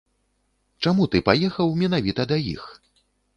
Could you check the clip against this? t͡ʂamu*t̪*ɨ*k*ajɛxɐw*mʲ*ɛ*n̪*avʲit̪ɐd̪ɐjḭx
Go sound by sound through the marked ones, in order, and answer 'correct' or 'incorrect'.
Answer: correct, incorrect: p, correct, correct

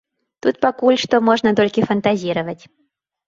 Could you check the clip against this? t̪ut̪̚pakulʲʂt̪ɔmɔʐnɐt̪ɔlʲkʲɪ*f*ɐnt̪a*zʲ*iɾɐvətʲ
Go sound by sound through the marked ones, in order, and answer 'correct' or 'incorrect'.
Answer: correct, correct

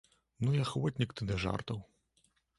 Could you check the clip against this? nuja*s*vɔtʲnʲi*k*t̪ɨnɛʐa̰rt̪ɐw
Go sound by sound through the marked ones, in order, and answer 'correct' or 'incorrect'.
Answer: incorrect: x, correct

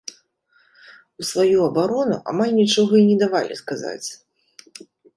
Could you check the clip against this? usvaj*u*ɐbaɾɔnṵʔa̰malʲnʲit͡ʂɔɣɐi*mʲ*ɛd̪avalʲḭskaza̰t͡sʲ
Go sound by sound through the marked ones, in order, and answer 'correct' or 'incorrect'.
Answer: correct, incorrect: nʲ

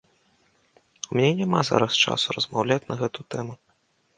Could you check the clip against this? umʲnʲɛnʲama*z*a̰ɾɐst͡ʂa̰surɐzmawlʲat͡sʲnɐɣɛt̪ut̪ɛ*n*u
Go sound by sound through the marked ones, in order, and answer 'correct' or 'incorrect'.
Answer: correct, incorrect: m

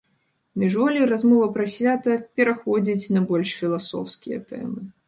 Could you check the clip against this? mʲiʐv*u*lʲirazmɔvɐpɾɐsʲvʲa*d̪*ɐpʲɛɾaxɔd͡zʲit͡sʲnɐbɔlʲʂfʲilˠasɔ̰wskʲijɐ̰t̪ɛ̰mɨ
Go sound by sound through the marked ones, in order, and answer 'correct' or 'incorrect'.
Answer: incorrect: ɔ, incorrect: t̪

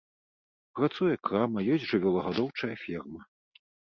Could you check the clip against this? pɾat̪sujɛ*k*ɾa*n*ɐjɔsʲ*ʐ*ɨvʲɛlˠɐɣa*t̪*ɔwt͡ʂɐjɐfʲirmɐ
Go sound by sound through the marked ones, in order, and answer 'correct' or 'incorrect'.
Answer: correct, incorrect: m, correct, incorrect: d̪

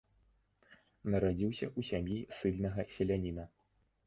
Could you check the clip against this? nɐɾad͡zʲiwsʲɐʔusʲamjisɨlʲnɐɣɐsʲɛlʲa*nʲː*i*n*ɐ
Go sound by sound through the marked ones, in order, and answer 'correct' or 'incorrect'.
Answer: incorrect: nʲ, correct

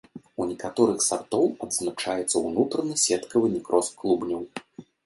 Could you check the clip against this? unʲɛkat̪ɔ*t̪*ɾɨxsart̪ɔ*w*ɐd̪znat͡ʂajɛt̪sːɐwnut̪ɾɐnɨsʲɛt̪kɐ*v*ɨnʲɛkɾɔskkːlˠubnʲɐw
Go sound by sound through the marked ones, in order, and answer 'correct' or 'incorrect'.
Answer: incorrect: none, correct, correct

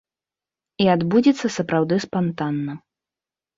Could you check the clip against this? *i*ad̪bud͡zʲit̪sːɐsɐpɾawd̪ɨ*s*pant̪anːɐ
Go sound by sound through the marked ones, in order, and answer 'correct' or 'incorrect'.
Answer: correct, correct

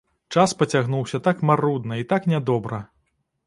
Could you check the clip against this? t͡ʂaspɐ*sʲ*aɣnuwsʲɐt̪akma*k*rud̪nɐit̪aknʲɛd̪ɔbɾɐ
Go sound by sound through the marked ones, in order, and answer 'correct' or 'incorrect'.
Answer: incorrect: t͡sʲ, incorrect: none

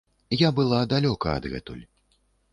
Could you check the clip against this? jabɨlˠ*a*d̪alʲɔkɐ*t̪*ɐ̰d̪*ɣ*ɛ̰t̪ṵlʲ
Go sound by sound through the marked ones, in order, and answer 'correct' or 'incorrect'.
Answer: correct, incorrect: none, correct

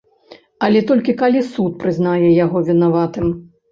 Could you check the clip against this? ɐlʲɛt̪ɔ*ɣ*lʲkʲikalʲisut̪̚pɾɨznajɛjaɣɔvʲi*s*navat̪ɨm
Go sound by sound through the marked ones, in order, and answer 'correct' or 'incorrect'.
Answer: incorrect: none, incorrect: none

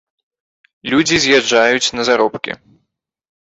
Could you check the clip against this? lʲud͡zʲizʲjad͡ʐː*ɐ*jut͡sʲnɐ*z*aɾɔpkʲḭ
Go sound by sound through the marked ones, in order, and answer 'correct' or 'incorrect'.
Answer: incorrect: a, correct

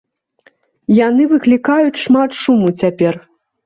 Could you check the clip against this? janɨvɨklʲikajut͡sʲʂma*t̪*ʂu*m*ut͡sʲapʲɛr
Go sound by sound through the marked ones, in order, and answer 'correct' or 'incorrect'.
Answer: correct, correct

